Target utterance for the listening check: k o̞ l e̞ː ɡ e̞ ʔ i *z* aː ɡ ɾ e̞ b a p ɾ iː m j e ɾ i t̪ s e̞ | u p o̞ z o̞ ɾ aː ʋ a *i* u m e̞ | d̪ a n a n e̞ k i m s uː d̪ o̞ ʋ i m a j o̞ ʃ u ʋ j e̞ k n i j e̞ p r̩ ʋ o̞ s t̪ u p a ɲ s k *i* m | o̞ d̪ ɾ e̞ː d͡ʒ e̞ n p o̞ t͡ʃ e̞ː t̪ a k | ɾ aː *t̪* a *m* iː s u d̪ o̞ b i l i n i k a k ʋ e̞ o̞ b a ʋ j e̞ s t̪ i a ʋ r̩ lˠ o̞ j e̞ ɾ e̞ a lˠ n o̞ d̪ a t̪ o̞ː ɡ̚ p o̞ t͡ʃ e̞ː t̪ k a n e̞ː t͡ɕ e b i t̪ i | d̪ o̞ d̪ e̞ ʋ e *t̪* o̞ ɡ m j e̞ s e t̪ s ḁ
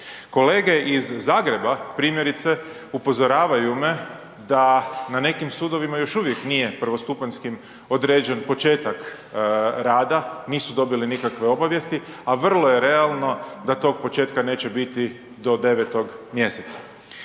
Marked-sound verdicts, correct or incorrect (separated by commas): incorrect, incorrect, correct, incorrect, incorrect, correct